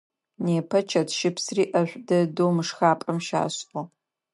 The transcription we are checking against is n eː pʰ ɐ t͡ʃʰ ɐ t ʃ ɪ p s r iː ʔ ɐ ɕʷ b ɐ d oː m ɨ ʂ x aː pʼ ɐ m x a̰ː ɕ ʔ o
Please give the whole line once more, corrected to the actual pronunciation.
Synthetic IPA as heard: n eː pʰ ɐ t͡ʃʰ ɐ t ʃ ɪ p s r iː ʔ ɐ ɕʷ d ɐ d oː m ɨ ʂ x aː pʼ ɐ m ʃ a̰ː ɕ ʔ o